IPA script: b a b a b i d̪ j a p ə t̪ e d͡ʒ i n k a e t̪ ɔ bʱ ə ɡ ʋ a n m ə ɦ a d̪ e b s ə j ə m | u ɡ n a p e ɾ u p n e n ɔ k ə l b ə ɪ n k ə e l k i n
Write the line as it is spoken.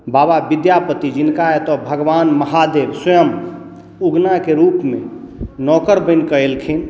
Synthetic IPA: b a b a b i d̪ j a p ə t̪ i d͡ʒ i n k a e t̪ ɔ bʱ ə ɡ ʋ a n m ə ɦ a d̪ e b s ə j ə m | u ɡ n a k e ɾ u p m e n ɔ k ə ɾ b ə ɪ n k ə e l kʰ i n

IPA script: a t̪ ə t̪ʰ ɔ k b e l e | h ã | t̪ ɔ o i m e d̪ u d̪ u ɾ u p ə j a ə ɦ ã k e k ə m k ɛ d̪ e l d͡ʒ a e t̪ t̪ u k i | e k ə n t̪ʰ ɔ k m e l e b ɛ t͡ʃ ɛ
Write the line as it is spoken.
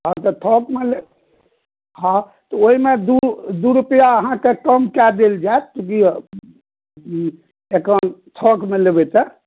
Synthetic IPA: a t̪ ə t̪ʰ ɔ k m e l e | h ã | t̪ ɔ o i m e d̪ u d̪ u ɾ u p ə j a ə ɦ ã k e k ə m k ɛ d̪ e l d͡ʒ a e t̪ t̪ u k i | e k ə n t̪ʰ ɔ k m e l e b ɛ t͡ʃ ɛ

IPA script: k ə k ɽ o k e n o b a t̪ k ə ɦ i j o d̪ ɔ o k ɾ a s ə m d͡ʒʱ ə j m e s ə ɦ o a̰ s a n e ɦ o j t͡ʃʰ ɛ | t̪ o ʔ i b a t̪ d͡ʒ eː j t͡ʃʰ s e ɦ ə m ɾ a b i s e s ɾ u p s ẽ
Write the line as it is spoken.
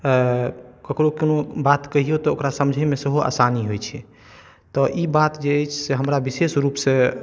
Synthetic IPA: k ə k ɾ o k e n o b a t̪ k ə ɦ i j o t̪ ɔ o k ɾ a s ə m d͡ʒʱ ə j m e s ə ɦ o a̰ s a n i ɦ o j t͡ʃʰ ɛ | t̪ ɔ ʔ i b a t̪ d͡ʒ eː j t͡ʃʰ s e ɦ ə m ɾ a b i s e s ɾ u p s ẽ

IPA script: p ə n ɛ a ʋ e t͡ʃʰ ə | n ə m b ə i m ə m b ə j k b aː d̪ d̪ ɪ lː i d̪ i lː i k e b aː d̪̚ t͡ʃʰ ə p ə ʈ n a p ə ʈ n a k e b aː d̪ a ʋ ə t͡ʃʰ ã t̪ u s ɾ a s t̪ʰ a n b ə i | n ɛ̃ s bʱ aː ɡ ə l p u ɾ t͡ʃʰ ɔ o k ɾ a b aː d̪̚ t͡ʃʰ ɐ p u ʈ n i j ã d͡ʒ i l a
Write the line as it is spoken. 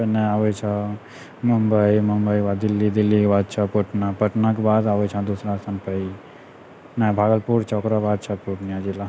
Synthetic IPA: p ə n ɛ a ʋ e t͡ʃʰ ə | m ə m b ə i m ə m b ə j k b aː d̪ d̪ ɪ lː i d̪ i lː i k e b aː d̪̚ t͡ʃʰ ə p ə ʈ n a p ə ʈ n a k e b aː d̪ a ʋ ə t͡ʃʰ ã d̪ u s ɾ a s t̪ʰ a n p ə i | n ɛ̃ bʱ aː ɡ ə l p u ɾ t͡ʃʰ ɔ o k ɾ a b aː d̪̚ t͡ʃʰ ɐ p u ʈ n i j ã d͡ʒ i l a

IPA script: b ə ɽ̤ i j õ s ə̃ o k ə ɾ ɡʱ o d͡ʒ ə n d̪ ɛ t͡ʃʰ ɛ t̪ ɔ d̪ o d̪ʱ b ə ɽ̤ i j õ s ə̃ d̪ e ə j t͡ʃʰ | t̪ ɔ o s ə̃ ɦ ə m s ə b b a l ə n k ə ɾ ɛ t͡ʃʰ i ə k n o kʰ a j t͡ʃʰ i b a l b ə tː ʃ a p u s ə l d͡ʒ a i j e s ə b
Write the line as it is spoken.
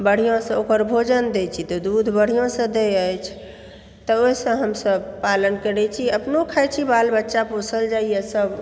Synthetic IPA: b ə ɽ̤ i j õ s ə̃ o k ə ɾ bʱ o d͡ʒ ə n d̪ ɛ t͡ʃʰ i t̪ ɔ d̪ u d̪ʱ b ə ɽ̤ i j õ s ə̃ d̪ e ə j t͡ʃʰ | t̪ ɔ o s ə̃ ɦ ə m s ə b p a l ə n k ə ɾ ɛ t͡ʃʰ i ə p n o kʰ a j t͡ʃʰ i b a l b ə tː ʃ a p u s ə l d͡ʒ a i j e s ə b

